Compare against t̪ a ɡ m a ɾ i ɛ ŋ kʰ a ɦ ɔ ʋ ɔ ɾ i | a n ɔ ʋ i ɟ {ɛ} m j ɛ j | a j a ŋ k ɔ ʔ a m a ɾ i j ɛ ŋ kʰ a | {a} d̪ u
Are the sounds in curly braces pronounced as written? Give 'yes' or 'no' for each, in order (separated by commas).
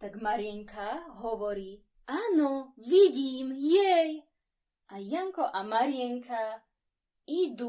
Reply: no, no